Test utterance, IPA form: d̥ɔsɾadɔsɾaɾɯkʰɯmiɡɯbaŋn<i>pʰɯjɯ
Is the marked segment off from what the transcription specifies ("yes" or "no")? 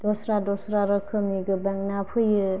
yes